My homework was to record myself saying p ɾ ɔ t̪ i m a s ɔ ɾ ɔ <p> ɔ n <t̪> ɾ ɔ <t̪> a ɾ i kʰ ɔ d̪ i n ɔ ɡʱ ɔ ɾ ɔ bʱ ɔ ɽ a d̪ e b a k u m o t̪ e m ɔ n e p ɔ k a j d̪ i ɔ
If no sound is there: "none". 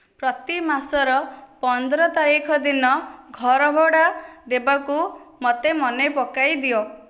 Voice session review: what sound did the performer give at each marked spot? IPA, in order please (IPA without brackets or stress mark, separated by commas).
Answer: p, d̪, t̪